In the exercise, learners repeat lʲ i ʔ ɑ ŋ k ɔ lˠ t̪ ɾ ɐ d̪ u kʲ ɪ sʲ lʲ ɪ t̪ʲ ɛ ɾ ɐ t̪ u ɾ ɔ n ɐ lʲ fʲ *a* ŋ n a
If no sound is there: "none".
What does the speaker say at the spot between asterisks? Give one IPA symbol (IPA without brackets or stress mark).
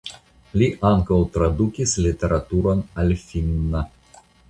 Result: i